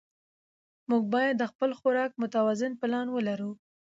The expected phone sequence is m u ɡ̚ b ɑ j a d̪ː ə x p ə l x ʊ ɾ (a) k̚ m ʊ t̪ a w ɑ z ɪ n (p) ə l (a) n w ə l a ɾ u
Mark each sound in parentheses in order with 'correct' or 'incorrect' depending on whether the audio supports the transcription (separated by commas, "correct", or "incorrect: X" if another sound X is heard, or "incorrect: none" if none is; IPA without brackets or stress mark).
incorrect: ɑ, correct, incorrect: ɑ